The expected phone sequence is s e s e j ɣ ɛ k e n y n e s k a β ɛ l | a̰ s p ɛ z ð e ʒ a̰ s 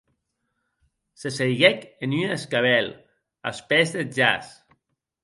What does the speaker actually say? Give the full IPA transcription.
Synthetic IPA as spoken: s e s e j ɣ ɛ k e n y n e s k a β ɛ l | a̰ s p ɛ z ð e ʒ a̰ s